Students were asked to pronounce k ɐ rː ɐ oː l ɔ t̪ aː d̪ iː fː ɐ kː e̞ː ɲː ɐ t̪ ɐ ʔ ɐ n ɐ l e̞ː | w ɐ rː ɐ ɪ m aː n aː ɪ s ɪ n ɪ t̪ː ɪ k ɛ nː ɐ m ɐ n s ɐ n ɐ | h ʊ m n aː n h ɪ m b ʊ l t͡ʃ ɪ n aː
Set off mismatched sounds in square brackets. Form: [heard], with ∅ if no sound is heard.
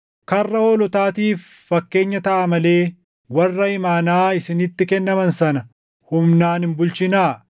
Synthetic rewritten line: k ɐ rː ɐ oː l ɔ t̪ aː [t̪] iː fː ɐ kː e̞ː ɲː ɐ t̪ ɐ ʔ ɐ [m] ɐ l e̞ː | w ɐ rː ɐ ɪ m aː n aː ɪ s ɪ n ɪ t̪ː ɪ k ɛ nː ɐ m ɐ n s ɐ n ɐ | h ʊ m n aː n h ɪ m b ʊ l t͡ʃ ɪ n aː